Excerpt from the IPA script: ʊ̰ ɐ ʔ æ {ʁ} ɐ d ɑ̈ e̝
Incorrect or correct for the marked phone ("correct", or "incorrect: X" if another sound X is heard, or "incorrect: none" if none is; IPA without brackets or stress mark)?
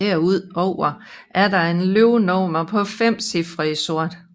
incorrect: none